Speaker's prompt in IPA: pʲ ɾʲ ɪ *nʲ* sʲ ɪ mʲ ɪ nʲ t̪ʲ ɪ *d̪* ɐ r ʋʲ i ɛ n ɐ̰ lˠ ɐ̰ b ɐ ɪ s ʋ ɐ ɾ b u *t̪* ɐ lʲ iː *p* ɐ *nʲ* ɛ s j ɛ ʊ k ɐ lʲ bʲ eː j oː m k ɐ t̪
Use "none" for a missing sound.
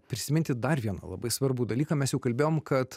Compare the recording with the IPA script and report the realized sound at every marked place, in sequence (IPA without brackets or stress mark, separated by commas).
none, d̪, d̪, k, mʲ